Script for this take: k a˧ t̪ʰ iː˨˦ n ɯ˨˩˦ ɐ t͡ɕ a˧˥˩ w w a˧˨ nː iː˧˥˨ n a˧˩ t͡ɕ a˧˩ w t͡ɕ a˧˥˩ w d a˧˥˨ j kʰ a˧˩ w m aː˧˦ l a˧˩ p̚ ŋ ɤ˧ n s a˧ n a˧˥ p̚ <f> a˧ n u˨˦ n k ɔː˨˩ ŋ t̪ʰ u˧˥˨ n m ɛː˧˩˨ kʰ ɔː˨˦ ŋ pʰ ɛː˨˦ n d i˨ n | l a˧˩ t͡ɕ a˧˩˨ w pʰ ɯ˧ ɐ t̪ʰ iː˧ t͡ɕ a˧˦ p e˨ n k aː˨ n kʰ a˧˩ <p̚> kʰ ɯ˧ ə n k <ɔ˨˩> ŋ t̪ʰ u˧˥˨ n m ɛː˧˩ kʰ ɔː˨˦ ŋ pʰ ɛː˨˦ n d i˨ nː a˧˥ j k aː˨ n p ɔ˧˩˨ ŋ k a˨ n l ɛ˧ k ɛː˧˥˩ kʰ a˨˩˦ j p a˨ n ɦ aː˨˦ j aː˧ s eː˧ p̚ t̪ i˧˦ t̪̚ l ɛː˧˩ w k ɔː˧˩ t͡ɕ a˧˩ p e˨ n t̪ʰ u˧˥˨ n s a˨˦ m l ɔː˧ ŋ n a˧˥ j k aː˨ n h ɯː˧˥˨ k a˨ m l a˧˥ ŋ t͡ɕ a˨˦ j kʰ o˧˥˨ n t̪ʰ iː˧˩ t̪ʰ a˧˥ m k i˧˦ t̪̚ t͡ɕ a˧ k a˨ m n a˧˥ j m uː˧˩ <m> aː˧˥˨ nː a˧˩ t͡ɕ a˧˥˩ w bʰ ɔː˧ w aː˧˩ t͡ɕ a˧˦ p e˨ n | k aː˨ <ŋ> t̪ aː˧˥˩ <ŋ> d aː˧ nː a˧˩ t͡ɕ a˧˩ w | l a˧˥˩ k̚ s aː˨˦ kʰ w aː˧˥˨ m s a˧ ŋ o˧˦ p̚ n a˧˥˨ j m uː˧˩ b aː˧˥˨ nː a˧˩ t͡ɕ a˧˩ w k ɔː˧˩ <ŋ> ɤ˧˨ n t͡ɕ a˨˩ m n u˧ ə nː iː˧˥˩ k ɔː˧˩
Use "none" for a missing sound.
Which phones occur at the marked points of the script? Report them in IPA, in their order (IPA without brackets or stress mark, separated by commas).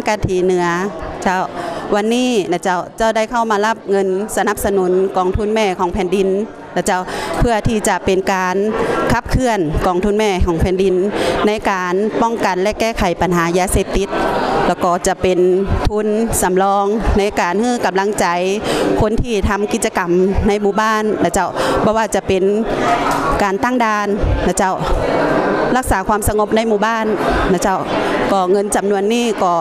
s, p̚, ɔː˨˩, b, n, ŋ, ŋ